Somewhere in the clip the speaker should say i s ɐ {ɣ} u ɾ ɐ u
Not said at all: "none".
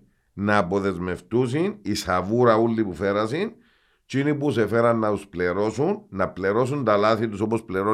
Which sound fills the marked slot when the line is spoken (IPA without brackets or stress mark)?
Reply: v